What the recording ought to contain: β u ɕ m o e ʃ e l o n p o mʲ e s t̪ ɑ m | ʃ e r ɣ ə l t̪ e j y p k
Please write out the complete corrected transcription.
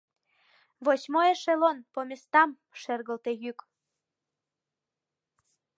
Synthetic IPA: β o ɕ m o e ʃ e l o n p o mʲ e s t̪ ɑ m | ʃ e r ɣ ə l t̪ e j y k